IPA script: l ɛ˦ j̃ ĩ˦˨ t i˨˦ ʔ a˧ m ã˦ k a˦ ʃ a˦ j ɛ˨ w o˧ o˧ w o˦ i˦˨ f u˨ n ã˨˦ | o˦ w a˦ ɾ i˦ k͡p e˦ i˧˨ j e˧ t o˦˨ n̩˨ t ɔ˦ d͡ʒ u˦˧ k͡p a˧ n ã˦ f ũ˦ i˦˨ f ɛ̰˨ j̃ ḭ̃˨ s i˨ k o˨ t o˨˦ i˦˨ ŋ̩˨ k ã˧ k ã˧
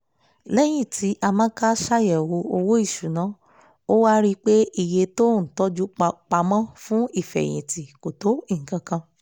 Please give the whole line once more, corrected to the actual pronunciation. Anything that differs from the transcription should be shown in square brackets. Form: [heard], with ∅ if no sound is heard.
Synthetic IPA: l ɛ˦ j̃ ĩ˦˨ t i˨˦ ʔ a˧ m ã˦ k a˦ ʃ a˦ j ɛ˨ w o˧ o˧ w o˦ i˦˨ [ʃ] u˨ n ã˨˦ | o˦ w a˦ ɾ i˦ k͡p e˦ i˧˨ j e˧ t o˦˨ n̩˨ t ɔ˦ d͡ʒ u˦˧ k͡p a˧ [m] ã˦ f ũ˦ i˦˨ f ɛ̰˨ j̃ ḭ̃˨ [t] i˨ k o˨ t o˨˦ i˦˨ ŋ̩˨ k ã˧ k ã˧